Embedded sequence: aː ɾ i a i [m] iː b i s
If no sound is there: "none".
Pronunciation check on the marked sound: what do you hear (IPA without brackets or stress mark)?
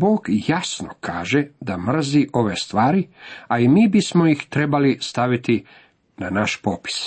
m